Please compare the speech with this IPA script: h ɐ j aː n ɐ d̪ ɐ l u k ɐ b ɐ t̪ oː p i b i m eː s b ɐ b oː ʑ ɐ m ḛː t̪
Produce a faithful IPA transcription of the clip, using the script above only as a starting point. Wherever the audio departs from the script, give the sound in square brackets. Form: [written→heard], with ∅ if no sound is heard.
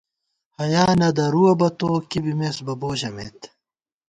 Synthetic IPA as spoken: h ɐ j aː n ɐ d̪ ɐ [l→ɾ] u [k→∅] ɐ b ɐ t̪ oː [p→k] i b i m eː s b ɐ b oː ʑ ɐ m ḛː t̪